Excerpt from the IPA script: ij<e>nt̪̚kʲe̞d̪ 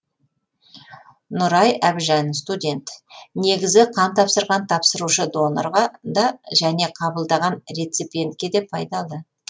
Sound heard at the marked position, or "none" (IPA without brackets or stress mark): e